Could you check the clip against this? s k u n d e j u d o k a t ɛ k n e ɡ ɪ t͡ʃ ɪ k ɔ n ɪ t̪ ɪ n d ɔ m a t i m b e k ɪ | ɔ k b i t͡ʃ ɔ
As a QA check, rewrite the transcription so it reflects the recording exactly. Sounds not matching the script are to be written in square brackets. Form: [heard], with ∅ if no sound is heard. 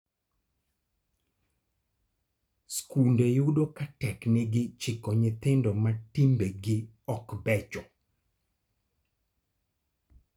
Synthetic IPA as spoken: s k u n d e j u d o k a t ɛ k n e ɡ ɪ t͡ʃ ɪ k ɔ [ɲ] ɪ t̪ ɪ n d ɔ m a t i m b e [ɡ] ɪ | ɔ k b [ɛ] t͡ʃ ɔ